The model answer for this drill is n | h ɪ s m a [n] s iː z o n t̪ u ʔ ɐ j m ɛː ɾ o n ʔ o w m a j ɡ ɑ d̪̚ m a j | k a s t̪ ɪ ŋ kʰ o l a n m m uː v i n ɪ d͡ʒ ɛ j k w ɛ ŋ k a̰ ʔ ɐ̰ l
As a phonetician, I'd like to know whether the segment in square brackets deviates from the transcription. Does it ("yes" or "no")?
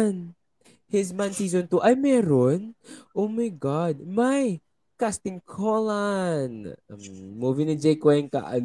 no